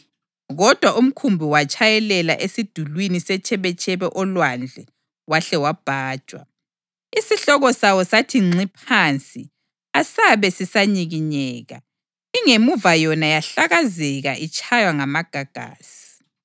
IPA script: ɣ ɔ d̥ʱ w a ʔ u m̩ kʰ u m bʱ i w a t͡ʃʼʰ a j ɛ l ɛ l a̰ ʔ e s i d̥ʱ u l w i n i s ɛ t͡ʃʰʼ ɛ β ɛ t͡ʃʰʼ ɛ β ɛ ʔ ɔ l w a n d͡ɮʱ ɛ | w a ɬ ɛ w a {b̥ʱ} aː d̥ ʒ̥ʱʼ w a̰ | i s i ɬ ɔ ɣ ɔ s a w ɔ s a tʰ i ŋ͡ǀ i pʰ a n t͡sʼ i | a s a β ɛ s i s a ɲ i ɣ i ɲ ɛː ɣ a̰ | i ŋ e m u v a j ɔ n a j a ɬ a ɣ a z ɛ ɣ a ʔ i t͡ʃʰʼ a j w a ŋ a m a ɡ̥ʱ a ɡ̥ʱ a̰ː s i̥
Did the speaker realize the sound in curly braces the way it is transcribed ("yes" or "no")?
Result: yes